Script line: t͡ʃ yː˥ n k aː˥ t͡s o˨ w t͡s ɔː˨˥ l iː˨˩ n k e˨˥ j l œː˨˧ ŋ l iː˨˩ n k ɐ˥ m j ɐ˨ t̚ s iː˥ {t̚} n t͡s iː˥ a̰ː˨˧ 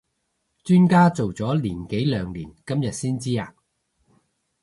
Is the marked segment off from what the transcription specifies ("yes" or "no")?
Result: yes